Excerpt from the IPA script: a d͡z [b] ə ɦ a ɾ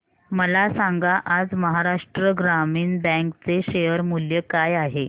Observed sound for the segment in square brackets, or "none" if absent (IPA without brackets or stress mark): m